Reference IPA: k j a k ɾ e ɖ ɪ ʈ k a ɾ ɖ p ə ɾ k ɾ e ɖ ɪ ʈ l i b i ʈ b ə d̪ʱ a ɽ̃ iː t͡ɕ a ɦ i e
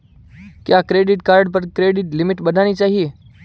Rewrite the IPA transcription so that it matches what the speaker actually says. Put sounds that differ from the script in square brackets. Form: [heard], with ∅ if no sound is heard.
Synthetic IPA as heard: k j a k ɾ e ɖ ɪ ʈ k a ɾ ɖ p ə ɾ k ɾ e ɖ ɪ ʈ l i [m] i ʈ b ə d̪ʱ a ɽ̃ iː t͡ɕ a ɦ i e